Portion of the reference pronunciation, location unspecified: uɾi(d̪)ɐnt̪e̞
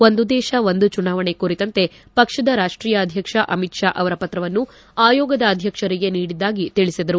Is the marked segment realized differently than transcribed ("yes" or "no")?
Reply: yes